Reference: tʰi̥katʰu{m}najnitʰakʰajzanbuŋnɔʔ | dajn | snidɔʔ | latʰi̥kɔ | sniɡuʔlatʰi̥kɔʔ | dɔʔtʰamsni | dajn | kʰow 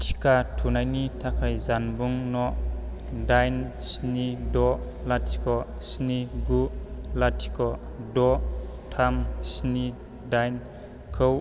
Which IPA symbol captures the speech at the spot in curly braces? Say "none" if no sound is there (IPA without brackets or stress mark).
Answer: none